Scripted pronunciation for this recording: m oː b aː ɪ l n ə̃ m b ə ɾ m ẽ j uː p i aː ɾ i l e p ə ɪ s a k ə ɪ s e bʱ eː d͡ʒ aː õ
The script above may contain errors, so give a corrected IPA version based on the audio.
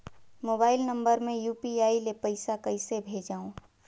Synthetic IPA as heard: m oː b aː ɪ l n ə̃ m b ə ɾ m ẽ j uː p i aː i l e p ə ɪ s a k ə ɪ s e bʱ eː d͡ʒ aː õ

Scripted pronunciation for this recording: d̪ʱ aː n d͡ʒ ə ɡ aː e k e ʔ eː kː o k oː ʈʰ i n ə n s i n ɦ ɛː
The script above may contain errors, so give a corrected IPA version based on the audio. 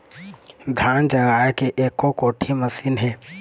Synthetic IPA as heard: d̪ʱ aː n d͡ʒ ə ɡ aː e k e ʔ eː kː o k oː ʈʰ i m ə s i n ɦ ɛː

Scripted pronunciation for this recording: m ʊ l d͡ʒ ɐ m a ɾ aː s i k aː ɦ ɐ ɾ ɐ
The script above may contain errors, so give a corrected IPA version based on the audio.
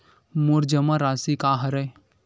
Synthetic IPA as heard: m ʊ ɾ d͡ʒ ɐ m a ɾ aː s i k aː ɦ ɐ ɾ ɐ

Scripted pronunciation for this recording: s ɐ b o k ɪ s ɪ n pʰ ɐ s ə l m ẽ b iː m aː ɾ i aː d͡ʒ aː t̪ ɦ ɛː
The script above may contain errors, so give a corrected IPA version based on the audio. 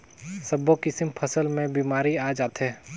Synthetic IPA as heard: s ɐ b o k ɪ s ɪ m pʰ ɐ s ə l m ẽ b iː m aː ɾ i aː d͡ʒ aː t̪ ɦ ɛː

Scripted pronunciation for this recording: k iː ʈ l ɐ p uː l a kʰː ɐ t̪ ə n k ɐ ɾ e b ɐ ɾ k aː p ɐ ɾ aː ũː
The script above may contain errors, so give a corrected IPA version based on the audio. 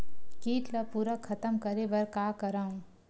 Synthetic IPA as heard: k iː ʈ l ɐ p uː ɾ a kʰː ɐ t̪ ə m k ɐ ɾ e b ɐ ɾ k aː k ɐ ɾ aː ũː

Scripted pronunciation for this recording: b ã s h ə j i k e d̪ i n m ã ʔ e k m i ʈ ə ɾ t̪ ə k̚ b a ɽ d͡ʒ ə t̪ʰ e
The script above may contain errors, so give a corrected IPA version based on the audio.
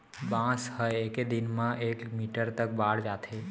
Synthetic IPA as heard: b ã s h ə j e k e d̪ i n m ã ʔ e k m i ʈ ə ɾ t̪ ə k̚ b a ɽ d͡ʒ a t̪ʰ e

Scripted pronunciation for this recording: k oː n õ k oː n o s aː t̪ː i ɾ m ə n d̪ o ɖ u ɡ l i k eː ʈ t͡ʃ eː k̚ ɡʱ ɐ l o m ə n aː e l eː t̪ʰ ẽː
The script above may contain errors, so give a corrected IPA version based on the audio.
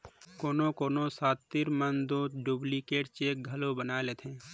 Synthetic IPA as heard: k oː n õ k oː n o s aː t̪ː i ɾ m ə n d̪ o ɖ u b l i k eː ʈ t͡ʃ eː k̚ ɡʱ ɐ l o b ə n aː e l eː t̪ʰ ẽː

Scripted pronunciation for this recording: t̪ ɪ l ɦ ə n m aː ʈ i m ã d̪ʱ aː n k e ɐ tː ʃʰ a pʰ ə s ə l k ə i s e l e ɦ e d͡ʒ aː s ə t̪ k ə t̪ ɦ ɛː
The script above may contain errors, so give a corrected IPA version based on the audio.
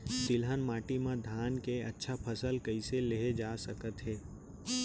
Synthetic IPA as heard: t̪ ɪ l ɦ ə n m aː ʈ i m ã d̪ʱ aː n k e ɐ tː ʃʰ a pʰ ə s ə l k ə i s e l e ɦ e d͡ʒ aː s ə k ə t̪ ɦ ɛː

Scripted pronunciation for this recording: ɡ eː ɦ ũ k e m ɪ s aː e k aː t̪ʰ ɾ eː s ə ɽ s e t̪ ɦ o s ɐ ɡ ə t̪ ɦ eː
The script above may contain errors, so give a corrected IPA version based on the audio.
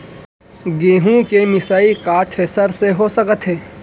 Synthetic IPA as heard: ɡ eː ɦ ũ k e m ɪ s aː i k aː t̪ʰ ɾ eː s ə ɾ s e ɦ o s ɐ k ə t̪ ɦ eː

